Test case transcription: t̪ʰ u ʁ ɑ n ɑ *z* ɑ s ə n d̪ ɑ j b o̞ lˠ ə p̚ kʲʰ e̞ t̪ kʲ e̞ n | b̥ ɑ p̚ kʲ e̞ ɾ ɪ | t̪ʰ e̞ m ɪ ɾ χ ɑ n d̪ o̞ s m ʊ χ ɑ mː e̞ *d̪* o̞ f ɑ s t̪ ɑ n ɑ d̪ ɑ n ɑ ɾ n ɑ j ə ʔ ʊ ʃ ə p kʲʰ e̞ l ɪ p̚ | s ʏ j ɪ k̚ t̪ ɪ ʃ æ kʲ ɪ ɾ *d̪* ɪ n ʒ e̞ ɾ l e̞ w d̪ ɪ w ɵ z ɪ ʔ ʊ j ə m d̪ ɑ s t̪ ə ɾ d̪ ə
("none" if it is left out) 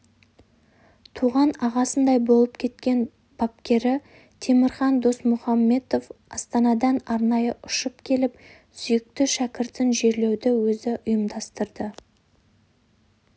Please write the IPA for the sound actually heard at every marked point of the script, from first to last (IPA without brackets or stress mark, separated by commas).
ʁ, t̪, t̪